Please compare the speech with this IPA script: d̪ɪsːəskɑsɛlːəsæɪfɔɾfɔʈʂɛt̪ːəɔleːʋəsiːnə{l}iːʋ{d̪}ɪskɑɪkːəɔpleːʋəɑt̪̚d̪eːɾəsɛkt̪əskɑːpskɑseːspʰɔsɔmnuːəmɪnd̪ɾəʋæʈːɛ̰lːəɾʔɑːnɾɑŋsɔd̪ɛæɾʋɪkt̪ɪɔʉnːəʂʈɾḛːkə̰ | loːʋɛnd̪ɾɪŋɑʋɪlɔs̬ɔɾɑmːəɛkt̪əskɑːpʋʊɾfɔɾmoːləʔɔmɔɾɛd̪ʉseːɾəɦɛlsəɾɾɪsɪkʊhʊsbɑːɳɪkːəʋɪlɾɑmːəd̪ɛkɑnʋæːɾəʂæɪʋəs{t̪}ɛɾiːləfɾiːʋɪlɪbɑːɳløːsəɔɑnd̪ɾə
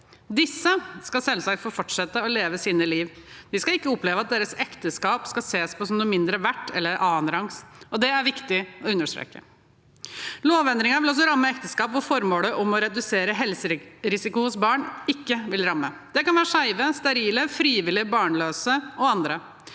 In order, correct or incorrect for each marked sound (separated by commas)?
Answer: correct, correct, correct